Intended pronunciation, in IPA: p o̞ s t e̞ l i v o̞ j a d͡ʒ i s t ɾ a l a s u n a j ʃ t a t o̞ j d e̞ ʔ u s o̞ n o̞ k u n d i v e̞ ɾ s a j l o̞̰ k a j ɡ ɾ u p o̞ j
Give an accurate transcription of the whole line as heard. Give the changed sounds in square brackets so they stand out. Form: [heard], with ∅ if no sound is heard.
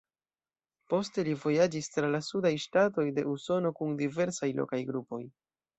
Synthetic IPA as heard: p o̞ s t e̞ l i v o̞ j a d͡ʒ i s t ɾ a l a s u [d] a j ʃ t a t o̞ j d e̞ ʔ u s o̞ n o̞ k u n d i v e̞ ɾ s a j l o̞̰ k a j ɡ ɾ u p o̞ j

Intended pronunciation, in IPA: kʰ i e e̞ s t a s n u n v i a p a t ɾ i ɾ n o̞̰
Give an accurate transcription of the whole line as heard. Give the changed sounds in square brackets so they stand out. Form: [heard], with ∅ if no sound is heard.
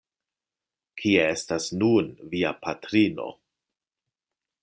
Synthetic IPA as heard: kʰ i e e̞ s t a s n u n v i a p a t ɾ i [∅] n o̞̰

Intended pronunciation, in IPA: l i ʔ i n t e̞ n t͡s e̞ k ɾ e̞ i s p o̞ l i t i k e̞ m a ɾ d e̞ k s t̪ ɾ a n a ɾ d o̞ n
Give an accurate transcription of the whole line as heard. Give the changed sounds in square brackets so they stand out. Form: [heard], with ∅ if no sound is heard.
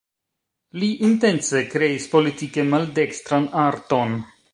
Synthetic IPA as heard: l i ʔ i n t e̞ n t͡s e̞ k ɾ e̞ i s p o̞ l i t i k e̞ m a [l] d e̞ k s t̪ ɾ a n a ɾ [t] o̞ n

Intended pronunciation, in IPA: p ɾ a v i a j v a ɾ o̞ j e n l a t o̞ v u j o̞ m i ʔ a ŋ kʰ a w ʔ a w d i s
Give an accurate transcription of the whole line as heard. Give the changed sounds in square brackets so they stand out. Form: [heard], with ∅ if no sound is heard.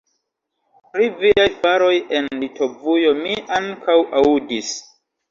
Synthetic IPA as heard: p ɾ [i] v i a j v a ɾ o̞ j e n l [i] t o̞ v u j o̞ m i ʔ a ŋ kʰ a w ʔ a [u] d i s

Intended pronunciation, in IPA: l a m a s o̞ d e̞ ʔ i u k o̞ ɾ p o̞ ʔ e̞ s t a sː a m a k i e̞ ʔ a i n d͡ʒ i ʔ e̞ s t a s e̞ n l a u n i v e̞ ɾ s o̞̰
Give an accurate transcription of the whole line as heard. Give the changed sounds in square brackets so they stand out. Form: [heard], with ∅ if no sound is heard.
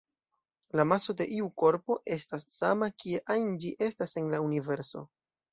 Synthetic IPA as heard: l a m a s o̞ d e̞ ʔ i u k o̞ ɾ p o̞ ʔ e̞ s t a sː a m a k i e̞ ʔ a [j] n d͡ʒ i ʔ e̞ s t a s e̞ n l a u n i v e̞ ɾ s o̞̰

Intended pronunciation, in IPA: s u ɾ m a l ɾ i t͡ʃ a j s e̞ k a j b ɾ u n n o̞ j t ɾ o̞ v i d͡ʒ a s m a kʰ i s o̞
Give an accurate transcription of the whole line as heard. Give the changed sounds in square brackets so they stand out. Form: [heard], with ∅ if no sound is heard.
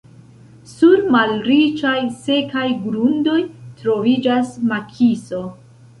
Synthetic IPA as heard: s u ɾ m a l ɾ i t͡ʃ a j s e̞ k a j [ɡ] ɾ u n [d] o̞ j t ɾ o̞ v i d͡ʒ a s m a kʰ i s o̞

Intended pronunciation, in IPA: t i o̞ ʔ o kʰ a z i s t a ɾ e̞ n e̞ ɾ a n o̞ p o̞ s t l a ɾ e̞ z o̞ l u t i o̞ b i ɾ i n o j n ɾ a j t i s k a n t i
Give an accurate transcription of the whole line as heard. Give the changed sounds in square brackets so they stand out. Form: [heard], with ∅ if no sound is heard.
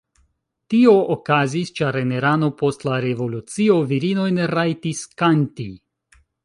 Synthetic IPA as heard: t i o̞ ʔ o [k] a z i s [t͡ʃ] a ɾ e̞ n e̞ ɾ a n o̞ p o̞ s t l a ɾ e̞ [v] o̞ l u [t͡s] i o̞ [v] i ɾ i n o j n ɾ a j t i s k a n t i

